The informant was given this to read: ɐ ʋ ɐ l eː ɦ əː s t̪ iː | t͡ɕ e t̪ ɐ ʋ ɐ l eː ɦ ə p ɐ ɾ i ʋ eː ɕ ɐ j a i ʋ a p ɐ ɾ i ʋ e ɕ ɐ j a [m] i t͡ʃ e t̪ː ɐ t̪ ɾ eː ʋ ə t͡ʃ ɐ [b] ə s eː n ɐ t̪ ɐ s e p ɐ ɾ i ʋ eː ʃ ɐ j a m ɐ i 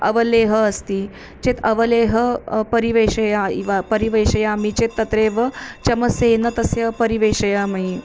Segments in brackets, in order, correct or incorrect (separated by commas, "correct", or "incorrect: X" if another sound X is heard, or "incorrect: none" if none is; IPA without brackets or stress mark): correct, incorrect: m